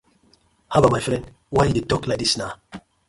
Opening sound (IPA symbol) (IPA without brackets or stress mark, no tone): h